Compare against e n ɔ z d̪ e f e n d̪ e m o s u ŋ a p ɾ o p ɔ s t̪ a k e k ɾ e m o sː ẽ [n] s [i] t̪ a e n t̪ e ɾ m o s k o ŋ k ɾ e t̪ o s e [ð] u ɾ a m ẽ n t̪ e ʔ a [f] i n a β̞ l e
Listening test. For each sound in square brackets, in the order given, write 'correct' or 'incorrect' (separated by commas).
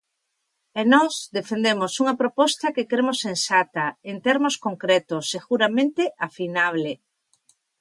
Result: correct, incorrect, incorrect, correct